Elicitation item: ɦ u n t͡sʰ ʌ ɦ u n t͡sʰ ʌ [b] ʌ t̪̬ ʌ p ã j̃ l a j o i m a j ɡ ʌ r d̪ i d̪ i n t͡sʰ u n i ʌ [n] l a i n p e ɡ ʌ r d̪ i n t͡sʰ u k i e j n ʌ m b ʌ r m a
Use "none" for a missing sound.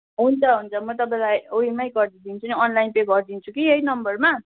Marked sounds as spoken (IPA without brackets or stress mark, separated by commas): m, n